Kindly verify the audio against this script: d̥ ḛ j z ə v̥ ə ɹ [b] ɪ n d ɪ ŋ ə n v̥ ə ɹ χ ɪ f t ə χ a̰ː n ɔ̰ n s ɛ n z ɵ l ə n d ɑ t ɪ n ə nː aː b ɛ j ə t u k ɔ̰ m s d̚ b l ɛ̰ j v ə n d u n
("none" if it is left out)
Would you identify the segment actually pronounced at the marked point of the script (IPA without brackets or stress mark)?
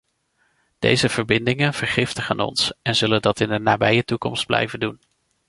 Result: b